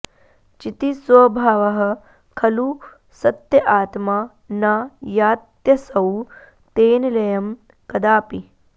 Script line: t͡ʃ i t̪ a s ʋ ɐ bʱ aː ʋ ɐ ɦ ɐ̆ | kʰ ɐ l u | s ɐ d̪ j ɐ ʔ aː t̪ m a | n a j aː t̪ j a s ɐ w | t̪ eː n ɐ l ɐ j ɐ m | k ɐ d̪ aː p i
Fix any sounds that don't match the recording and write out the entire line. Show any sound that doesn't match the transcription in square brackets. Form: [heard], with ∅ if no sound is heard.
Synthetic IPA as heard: t͡ʃ i t̪ [i] s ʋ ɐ bʱ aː ʋ ɐ ɦ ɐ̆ | kʰ ɐ l u | s ɐ [t̪] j ɐ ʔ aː t̪ m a | n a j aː t̪ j [ɐ] s ɐ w | t̪ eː n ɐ l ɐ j ɐ m | k ɐ d̪ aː p i